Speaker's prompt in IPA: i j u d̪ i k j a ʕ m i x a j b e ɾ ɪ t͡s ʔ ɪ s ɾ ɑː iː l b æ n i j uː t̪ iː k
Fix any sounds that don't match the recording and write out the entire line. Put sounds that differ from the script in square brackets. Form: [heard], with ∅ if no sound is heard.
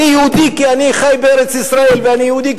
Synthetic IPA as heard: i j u d̪ i k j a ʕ [n] i x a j b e ɾ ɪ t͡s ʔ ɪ s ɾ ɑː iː l b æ n i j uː [d̪] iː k